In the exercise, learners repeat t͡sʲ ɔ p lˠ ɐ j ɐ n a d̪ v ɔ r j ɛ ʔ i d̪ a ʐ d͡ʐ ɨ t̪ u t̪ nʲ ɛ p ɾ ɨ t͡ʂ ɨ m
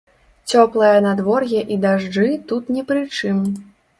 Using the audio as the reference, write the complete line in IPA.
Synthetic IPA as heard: t͡sʲ ɔ p lˠ ɐ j ɐ n a d̪ v ɔ r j ɛ ʔ i d̪ a ʐ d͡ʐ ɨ t̪ u t̪ nʲ ɛ p ɾ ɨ t͡ʂ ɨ m

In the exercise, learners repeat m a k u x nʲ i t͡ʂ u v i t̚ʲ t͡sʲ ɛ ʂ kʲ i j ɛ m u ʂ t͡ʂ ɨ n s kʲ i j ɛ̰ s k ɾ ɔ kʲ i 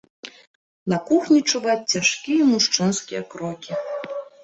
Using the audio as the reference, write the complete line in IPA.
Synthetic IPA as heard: n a k u x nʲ i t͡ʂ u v a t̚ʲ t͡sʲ a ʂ kʲ i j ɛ m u ʂ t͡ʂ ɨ n s kʲ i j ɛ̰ k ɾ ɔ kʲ i

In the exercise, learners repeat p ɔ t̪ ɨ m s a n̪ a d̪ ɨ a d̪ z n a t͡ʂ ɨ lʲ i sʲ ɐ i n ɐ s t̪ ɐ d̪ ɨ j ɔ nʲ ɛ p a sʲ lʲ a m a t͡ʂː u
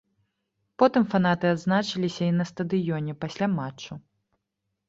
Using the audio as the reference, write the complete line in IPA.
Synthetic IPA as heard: p ɔ t̪ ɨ m f a n̪ a t̪ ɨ a d̪ z n a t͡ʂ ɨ lʲ i sʲ ɐ i n ɐ s t̪ ɐ d̪ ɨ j ɔ nʲ ɛ p a sʲ lʲ a m a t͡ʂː u

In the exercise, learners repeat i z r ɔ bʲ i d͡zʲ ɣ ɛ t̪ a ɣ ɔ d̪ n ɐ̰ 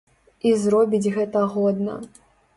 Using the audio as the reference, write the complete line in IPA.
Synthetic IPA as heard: i z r ɔ bʲ i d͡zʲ ɣ ɛ t̪ ɐ ɣ ɔ d̪ n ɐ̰

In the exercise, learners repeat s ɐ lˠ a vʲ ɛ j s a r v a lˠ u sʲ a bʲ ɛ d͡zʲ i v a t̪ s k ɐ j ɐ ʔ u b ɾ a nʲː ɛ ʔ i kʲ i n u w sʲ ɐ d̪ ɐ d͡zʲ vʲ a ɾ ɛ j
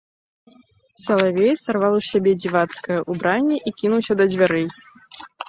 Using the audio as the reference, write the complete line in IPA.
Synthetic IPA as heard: s ɐ lˠ a vʲ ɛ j s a r v a lˠ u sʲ a bʲ ɛ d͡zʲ i v a t̪ s k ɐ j ɐ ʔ u b ɾ a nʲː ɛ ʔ i kʲ i n u w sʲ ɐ d̪ ɐ d͡zʲ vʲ a ɾ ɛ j

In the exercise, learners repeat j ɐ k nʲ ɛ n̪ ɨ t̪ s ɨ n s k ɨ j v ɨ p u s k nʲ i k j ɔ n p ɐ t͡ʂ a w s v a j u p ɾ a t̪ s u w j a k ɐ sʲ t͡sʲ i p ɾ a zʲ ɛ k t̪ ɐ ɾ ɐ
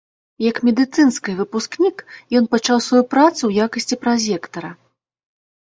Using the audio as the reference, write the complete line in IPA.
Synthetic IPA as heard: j ɐ k mʲ ɛ d̪ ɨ t̪ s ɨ n s k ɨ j v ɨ p u s k nʲ i k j ɔ n p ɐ t͡ʂ a w s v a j u p ɾ a t̪ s u w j a k ɐ sʲ t͡sʲ i p ɾ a zʲ ɛ k t̪ ɐ ɾ ɐ

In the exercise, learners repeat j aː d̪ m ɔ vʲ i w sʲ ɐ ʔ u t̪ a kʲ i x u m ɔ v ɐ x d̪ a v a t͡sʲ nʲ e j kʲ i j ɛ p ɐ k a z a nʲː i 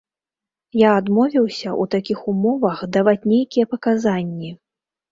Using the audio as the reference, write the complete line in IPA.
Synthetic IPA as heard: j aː d̪ m ɔ vʲ i w sʲ ɐ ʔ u t̪ a kʲ i x u m ɔ v ɐ x d̪ a v a t͡sʲ nʲ e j kʲ i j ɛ p ɐ k a z a nʲː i

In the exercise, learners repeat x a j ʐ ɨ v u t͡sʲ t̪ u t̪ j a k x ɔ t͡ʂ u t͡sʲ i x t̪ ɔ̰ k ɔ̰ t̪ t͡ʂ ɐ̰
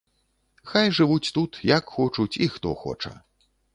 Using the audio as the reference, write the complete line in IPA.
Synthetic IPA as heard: x a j ʐ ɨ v u t͡sʲ t̪ u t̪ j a k x ɔ t͡ʂ u t͡sʲ i x t̪ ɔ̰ x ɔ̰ t͡ʂ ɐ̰

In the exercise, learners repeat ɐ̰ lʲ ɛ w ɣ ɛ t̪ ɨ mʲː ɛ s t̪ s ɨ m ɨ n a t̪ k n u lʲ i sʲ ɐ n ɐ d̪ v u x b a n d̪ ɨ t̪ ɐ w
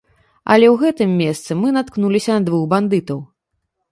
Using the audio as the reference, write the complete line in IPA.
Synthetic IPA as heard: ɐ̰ lʲ ɛ w ɣ ɛ t̪ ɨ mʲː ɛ s t̪ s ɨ m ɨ n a t̪ k n u lʲ i sʲ ɐ n ɐ d̪ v u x b a n d̪ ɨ t̪ ɐ w

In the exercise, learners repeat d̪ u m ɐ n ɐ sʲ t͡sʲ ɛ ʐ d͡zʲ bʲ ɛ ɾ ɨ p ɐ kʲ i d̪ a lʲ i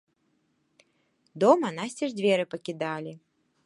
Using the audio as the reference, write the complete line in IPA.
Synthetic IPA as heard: d̪ ɔ m ɐ n a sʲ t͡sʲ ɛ ʐ d͡zʲ vʲ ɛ ɾ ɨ p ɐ kʲ i d̪ a lʲ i

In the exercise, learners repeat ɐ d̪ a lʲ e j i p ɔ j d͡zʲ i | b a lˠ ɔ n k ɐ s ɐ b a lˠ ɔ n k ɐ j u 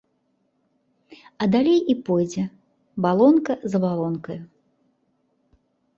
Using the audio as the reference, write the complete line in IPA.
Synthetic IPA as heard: ɐ d̪ a lʲ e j i p ɔ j d͡zʲ ɛ | b a lˠ ɔ n k ɐ z ɐ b a lˠ ɔ n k ɐ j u

